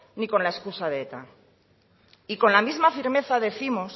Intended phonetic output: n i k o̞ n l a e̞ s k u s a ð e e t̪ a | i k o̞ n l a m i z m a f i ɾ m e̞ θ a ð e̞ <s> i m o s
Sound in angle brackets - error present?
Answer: yes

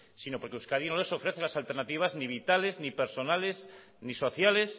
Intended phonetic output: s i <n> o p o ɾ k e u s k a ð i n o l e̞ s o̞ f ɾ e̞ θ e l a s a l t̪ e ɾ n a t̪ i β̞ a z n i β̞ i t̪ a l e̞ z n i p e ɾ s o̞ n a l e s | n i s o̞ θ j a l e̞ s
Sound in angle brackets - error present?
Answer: no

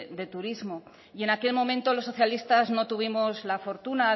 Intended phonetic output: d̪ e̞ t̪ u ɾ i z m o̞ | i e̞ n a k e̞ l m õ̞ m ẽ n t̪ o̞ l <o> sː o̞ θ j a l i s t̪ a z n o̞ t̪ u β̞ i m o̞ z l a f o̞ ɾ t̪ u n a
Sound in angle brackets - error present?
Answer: no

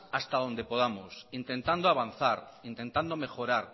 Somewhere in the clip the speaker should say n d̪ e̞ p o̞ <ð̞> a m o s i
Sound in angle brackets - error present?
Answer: no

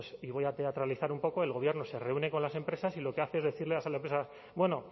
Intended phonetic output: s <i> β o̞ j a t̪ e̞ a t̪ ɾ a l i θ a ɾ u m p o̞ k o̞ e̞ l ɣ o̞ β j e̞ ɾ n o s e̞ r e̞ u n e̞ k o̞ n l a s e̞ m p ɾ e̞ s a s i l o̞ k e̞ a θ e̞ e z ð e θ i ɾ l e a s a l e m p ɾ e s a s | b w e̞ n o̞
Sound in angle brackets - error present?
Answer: no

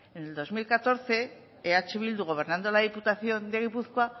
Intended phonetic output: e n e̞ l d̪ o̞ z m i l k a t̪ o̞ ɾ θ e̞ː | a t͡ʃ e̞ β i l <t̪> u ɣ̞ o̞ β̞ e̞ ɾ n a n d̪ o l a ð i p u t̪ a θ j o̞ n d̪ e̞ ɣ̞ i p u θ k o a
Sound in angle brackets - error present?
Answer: yes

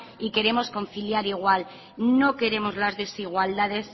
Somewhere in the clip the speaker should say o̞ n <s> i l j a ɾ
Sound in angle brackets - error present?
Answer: yes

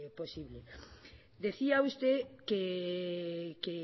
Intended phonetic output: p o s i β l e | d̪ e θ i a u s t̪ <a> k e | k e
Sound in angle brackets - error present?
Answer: yes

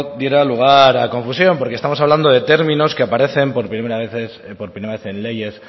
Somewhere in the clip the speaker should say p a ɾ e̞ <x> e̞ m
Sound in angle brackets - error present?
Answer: yes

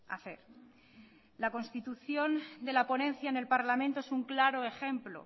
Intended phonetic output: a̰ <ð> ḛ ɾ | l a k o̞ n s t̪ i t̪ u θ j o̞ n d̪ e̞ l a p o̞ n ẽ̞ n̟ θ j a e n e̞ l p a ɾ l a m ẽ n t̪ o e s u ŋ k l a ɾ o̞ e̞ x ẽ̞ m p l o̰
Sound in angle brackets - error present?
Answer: yes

